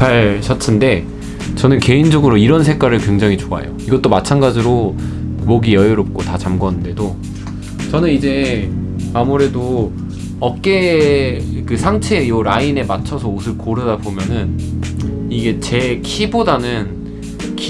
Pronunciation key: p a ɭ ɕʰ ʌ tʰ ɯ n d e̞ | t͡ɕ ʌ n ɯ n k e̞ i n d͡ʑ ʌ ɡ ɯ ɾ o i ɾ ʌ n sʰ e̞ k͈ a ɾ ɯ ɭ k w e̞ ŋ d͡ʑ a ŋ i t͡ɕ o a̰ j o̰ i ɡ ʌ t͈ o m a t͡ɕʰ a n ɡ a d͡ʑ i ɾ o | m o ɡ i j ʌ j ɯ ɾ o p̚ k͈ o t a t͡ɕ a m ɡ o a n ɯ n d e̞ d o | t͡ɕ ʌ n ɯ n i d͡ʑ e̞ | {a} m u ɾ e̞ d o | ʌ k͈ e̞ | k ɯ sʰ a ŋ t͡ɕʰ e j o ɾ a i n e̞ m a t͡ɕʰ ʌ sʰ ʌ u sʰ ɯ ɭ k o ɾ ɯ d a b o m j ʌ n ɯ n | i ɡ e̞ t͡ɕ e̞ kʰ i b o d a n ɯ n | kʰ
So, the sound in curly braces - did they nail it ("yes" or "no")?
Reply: yes